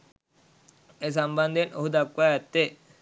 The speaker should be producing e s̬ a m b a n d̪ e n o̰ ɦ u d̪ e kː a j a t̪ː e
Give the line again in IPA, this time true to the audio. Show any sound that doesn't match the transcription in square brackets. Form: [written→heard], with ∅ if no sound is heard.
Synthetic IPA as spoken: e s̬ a m b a n d̪ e n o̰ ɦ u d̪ [e→a] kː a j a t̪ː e